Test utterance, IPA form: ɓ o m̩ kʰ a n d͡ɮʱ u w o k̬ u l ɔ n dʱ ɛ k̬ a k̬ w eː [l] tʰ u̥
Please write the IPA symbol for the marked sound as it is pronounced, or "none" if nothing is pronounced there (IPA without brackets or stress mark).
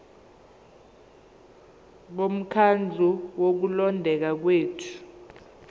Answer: none